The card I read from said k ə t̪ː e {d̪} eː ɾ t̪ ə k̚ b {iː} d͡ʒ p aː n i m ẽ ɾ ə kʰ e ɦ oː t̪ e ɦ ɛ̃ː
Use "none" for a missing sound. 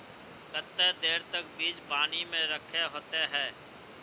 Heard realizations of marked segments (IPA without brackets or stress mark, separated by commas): d̪, iː